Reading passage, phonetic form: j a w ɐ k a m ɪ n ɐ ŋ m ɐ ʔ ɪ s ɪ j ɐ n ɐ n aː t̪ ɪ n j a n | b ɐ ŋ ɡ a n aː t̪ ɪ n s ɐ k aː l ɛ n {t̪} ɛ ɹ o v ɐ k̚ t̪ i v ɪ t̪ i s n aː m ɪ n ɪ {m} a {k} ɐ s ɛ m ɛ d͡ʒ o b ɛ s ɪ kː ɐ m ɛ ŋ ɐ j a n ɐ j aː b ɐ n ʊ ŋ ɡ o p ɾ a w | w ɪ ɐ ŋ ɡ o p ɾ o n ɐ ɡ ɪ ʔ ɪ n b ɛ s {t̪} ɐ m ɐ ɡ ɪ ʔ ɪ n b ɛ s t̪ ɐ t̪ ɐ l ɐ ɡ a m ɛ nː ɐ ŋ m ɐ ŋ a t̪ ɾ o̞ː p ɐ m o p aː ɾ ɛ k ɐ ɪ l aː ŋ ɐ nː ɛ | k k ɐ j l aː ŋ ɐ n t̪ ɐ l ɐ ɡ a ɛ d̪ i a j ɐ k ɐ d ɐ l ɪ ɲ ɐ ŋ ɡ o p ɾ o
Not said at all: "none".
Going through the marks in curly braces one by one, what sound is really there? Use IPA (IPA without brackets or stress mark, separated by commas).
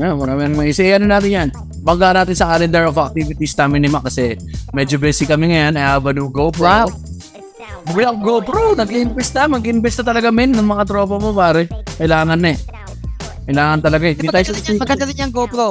d̪, m, k, t̪